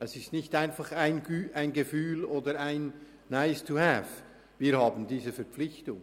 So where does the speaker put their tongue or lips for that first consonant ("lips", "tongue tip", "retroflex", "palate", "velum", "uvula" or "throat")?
tongue tip